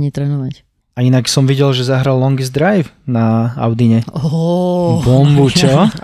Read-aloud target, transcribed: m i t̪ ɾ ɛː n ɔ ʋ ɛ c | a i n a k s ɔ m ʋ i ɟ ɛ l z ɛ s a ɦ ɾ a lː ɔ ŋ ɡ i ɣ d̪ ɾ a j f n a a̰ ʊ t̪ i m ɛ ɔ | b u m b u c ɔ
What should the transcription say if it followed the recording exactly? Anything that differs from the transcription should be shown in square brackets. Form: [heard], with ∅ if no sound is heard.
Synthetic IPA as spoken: [ɲ] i t̪ ɾ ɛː n ɔ ʋ [a] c | a i n a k s ɔ m ʋ i ɟ ɛ l [ʒ] ɛ [z] a ɦ ɾ a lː ɔ ŋ ɡ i [z] d̪ ɾ a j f n a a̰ ʊ [d̪] i [ɲ] ɛ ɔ | b [ɔ] m b u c ɔ